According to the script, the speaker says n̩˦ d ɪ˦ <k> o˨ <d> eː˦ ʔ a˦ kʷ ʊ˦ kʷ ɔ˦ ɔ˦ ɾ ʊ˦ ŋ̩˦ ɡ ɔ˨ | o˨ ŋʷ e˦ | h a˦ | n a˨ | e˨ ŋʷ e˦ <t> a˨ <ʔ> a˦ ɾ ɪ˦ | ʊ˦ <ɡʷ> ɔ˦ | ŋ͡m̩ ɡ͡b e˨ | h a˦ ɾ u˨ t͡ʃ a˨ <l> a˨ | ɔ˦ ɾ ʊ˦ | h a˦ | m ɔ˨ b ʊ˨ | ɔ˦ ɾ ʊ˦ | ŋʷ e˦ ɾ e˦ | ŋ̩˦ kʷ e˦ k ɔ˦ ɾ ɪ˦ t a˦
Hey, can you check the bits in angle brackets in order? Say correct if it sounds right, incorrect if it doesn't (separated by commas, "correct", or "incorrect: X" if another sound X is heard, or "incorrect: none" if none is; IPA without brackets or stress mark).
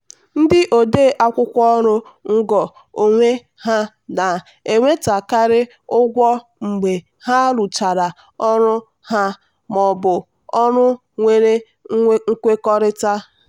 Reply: incorrect: ʔ, correct, correct, incorrect: k, correct, incorrect: ɾ